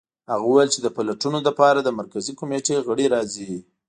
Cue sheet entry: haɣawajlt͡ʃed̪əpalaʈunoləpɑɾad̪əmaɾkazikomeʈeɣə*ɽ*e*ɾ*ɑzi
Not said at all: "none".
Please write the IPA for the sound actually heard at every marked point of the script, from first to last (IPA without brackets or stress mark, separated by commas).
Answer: ɽ, ɾ